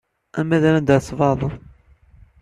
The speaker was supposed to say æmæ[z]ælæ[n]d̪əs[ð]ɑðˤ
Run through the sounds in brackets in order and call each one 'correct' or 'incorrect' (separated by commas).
incorrect, correct, incorrect